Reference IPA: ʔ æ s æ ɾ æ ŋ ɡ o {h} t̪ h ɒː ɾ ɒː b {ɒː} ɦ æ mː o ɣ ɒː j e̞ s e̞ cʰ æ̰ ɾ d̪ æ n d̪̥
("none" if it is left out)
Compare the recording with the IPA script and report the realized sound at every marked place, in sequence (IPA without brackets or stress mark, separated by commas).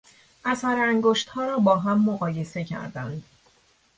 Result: ʃ, ɒː